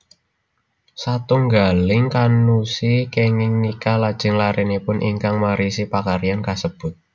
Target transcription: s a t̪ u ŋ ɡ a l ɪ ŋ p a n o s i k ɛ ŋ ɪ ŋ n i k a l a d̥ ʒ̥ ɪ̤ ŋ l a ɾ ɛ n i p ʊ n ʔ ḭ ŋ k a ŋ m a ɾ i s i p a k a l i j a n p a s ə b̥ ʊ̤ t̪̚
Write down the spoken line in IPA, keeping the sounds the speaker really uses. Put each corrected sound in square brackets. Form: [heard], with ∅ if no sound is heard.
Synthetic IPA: s a t̪ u ŋ ɡ a l ɪ ŋ [k] a n [u] s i k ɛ ŋ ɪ ŋ n i k a l a d̥ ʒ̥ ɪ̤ ŋ l a ɾ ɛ n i p ʊ n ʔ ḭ ŋ k a ŋ m a ɾ i s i p a k a [ɾ] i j a n [k] a s ə b̥ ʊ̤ t̪̚

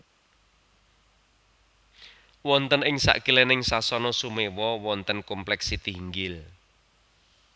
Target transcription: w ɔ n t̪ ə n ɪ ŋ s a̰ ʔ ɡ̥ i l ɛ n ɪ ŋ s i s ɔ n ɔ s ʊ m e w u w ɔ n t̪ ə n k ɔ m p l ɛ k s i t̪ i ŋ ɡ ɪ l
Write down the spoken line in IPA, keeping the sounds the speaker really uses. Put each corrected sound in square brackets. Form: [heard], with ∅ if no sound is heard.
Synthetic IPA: w ɔ n t̪ ə n ɪ ŋ s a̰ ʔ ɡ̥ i l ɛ n ɪ ŋ s [a] s ɔ n ɔ s [u] m e w [ɔ] w ɔ n t̪ ə n k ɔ m p l ɛ k s i t̪ i ŋ ɡ ɪ l

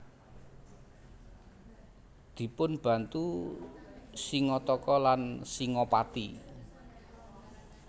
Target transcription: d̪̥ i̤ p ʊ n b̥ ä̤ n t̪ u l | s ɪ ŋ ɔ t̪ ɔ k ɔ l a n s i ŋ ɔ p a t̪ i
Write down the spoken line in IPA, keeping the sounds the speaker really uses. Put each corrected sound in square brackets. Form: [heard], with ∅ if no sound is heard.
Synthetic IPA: d̪̥ i̤ p ʊ n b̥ ä̤ n t̪ u [∅] | s [i] ŋ ɔ t̪ ɔ k ɔ l a n s i ŋ ɔ p a t̪ i

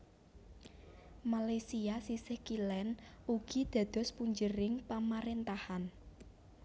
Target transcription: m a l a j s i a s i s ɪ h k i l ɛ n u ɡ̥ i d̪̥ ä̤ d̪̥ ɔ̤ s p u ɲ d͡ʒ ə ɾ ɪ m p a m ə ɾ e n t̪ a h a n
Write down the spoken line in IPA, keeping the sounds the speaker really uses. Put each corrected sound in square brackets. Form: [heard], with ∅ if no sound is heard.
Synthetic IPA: m a l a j s i a s i s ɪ h k i l ɛ n u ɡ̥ i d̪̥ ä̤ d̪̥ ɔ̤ s p u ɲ d͡ʒ ə ɾ ɪ [ŋ] p a m [a] ɾ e n t̪ a h a n

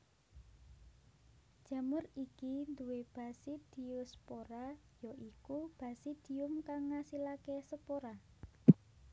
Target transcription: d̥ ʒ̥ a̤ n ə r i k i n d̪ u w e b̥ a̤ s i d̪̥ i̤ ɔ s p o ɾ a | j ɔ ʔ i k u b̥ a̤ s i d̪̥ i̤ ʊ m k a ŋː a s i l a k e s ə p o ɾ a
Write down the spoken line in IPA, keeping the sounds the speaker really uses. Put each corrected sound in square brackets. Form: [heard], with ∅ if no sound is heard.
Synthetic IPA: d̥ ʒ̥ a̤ [m] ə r i k i n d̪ u w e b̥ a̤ s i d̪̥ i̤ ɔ s p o ɾ a | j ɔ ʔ i k u b̥ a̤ s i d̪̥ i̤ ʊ m k a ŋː a s i l a k e s ə p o ɾ a

